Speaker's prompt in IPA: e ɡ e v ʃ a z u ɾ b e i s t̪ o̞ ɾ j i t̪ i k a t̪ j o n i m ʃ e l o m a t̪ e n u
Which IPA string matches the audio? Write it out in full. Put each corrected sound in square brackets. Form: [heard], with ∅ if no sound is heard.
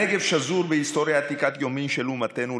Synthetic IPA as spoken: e ɡ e v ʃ a z u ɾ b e i s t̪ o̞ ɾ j [a] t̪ i k a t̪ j o [m] i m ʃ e l [u] m a t̪ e n u